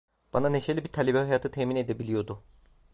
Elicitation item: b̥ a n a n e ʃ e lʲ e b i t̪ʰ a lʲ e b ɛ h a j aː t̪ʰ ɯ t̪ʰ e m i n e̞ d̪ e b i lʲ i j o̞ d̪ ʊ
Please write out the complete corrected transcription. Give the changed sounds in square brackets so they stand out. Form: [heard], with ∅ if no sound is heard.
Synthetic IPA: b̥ a n a n e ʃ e lʲ [i] b i t̪ʰ a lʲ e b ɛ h a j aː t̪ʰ ɯ t̪ʰ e m i n e̞ d̪ e b i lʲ i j o̞ d̪ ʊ

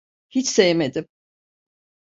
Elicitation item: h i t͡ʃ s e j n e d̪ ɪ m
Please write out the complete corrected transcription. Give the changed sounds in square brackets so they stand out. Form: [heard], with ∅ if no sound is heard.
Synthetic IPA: h i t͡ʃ s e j [m] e d̪ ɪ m

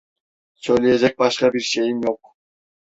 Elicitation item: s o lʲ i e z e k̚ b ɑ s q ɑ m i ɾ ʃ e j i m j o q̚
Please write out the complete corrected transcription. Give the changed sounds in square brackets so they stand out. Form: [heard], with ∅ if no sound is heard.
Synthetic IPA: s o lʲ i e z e k̚ b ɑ [ʃ] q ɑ [b] i ɾ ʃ e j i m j o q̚

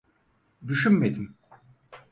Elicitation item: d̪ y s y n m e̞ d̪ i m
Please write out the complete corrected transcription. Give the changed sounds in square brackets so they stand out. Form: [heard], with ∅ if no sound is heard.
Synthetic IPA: d̪ y [ʃ] y n m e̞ d̪ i m

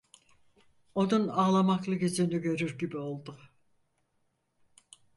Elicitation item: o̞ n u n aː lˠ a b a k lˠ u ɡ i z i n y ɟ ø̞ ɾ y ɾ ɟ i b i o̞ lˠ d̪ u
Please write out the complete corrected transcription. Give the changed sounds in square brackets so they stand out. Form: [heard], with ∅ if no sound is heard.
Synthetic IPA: o̞ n u n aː lˠ a [m] a k lˠ [ɯ] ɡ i z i n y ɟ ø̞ ɾ y ɾ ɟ i b i o̞ lˠ d̪ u

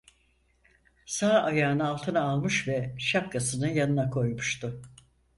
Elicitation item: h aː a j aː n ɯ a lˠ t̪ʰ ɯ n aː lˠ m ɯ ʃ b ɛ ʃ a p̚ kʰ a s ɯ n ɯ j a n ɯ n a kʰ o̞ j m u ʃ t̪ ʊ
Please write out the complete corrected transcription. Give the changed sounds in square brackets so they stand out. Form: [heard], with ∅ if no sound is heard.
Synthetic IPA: [s] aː a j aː n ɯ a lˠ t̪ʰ ɯ n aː lˠ m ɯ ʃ [v] ɛ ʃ a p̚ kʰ a s ɯ n ɯ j a n ɯ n a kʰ o̞ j m u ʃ t̪ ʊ

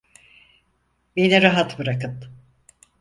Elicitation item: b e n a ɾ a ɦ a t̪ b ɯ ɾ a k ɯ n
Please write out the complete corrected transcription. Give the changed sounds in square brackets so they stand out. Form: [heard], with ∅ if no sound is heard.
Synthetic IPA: b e n [i] ɾ a ɦ a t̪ b ɯ ɾ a k ɯ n

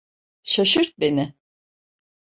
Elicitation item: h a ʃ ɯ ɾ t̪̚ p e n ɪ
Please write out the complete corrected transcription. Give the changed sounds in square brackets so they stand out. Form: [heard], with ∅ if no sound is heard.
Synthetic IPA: [ʃ] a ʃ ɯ ɾ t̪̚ [b] e n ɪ

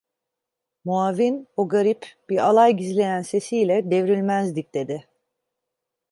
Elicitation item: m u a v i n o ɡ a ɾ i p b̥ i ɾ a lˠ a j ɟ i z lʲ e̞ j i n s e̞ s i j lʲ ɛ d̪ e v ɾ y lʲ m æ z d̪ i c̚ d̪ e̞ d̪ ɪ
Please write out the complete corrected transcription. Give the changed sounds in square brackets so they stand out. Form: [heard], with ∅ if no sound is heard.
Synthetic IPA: m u a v i n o ɡ a ɾ i p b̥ i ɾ a lˠ a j ɟ i z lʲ e̞ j [æ] n s e̞ s i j lʲ ɛ d̪ e v ɾ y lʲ m æ z d̪ i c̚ d̪ e̞ d̪ ɪ

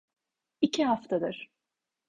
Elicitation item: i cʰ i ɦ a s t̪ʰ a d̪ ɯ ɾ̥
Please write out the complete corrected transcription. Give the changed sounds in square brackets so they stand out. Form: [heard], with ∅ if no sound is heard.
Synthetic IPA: i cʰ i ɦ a [f] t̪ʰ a d̪ ɯ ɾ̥

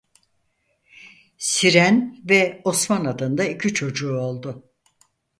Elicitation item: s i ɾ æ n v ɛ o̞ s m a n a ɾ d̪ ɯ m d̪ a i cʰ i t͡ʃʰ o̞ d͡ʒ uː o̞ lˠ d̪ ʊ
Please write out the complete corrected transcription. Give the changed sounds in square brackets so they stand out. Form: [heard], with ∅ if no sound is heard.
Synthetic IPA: s i ɾ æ n v ɛ o̞ s m a n a [∅] d̪ ɯ [n] d̪ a i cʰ i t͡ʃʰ o̞ d͡ʒ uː o̞ lˠ d̪ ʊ

